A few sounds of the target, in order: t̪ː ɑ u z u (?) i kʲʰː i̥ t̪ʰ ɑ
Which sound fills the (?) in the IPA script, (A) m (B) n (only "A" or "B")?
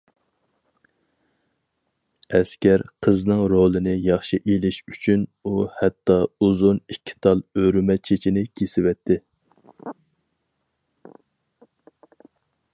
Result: B